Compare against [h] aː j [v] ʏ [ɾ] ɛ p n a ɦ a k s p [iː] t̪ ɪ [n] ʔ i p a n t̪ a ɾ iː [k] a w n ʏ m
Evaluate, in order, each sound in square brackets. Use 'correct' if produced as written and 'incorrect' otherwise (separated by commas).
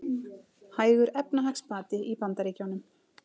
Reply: correct, incorrect, correct, incorrect, incorrect, incorrect